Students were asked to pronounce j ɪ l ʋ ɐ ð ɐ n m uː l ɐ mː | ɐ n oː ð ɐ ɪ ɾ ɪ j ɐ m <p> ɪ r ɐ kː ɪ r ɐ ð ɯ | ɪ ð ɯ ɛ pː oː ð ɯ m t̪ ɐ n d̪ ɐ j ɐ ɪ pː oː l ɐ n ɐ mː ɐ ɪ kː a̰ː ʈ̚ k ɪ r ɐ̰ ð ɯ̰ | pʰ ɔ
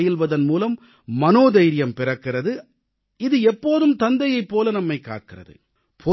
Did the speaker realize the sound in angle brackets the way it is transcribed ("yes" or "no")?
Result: yes